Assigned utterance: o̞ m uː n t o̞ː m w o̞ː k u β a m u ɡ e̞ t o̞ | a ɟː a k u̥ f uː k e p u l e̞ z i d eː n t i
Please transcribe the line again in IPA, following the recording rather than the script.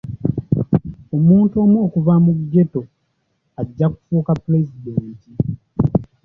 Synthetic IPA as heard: o̞ m uː n t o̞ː m w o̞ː k u v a m u ɡ e̞ t o̞ | a ɟː a k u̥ f uː k a p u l e̞ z i d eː n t i